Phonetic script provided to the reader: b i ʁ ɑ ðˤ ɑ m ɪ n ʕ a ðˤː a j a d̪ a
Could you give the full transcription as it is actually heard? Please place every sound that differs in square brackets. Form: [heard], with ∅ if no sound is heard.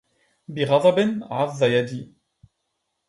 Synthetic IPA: b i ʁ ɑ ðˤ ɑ [b] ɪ n ʕ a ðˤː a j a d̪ [i]